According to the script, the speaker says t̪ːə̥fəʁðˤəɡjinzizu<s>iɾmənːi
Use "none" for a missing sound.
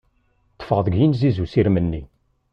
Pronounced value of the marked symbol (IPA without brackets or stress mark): s